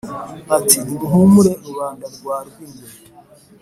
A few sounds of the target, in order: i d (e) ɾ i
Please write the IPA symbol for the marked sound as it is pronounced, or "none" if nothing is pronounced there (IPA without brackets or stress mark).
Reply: i